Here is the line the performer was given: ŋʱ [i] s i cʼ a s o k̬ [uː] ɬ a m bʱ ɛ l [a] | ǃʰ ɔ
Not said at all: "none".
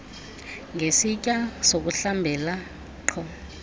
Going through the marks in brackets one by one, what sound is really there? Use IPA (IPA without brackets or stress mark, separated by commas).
e, u, a